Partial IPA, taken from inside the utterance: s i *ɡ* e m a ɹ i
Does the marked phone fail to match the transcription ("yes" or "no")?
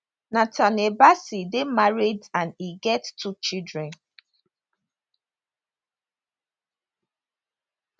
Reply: yes